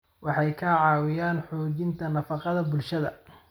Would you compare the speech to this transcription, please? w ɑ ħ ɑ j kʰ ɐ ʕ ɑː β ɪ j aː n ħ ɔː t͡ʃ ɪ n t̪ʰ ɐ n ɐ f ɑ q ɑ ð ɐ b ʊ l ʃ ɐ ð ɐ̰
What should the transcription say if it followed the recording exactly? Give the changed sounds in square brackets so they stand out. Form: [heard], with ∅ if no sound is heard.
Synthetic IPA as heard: w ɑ ħ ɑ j kʰ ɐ ʕ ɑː [w] ɪ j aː n ħ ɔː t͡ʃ ɪ n t̪ʰ ɐ n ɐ f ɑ q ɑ ð ɐ b ʊ l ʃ ɐ ð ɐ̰